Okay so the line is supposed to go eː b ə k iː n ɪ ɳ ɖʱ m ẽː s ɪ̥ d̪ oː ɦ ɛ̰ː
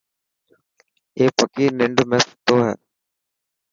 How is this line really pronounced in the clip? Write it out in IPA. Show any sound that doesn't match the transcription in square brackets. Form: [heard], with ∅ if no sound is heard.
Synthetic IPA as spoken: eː [p] ə k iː n ɪ ɳ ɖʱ m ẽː s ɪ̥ [t̪] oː ɦ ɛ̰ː

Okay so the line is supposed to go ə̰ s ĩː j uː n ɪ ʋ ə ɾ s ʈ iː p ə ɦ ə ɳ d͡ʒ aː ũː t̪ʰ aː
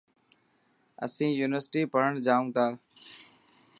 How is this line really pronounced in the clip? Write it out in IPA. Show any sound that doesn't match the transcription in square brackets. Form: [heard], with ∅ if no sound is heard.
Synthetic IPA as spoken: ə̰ s ĩː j uː n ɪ ʋ ə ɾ s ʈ iː p ə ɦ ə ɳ d͡ʒ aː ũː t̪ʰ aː

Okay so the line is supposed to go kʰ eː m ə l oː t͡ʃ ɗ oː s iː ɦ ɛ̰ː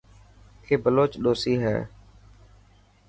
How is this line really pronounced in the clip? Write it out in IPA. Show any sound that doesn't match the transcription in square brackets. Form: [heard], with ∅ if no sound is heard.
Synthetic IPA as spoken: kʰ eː [b] ə l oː t͡ʃ ɗ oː s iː ɦ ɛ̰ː

